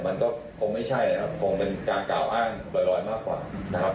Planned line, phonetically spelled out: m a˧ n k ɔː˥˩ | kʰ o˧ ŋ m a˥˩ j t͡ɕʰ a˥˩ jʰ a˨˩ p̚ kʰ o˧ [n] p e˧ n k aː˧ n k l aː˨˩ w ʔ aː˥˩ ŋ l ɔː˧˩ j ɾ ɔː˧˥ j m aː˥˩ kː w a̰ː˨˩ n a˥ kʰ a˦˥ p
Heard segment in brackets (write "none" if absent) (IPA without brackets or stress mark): ŋ